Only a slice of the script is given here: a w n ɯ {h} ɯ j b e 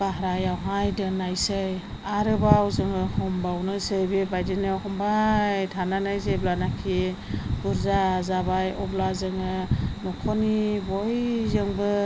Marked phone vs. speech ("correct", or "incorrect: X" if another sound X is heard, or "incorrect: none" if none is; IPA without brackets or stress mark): incorrect: s